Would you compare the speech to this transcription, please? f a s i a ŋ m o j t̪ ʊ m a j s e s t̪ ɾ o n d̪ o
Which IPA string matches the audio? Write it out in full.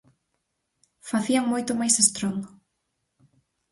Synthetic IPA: f a θ i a ŋ m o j t̪ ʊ m a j s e s t̪ ɾ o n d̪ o